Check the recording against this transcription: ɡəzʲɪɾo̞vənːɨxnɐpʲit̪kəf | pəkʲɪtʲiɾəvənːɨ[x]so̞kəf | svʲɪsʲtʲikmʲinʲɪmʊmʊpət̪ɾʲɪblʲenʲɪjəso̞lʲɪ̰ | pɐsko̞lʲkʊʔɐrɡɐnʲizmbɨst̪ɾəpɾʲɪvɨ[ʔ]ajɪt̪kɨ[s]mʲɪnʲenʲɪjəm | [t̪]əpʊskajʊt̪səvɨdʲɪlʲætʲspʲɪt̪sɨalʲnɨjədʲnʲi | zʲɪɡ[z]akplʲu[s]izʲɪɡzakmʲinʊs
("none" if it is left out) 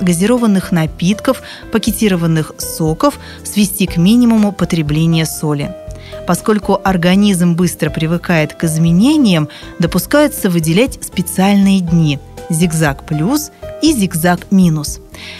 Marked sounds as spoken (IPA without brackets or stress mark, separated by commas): x, k, z, d̪, z, s